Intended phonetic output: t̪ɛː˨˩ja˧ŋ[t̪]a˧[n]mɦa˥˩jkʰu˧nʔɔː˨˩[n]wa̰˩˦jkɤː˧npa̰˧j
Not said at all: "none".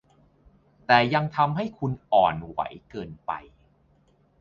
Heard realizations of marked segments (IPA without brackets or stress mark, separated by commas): t̪ʰ, none, n